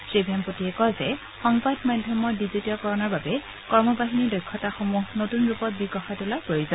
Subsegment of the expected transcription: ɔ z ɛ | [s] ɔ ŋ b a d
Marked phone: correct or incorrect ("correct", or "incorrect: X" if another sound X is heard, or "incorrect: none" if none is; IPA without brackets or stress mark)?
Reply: incorrect: x